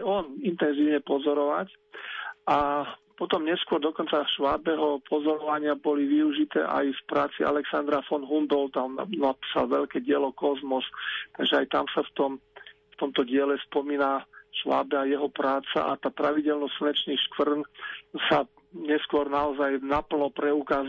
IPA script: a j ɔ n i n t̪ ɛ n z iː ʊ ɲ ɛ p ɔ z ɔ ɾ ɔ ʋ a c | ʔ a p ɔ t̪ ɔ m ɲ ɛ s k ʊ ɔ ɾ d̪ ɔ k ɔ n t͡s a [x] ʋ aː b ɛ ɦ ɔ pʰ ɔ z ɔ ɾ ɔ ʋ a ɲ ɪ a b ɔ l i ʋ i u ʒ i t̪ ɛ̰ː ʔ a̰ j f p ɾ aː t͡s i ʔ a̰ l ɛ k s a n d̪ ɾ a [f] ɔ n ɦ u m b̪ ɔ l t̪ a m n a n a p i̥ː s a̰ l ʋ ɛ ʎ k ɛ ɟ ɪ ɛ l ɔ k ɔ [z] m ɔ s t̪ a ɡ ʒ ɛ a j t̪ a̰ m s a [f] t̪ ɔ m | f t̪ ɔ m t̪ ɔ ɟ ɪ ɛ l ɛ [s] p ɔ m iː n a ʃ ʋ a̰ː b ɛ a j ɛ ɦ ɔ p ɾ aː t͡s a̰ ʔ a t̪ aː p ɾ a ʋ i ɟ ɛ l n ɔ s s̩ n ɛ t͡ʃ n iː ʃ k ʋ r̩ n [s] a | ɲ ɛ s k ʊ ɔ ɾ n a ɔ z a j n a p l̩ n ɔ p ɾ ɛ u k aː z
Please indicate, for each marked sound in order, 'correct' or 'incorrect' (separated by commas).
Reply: incorrect, correct, correct, correct, correct, correct